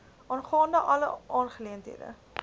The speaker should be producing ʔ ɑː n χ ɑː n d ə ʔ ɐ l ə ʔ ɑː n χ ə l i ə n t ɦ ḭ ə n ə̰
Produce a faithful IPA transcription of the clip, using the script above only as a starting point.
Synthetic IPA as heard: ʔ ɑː n χ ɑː n d ə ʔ ɐ l ə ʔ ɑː n χ ə l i ə n t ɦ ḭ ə d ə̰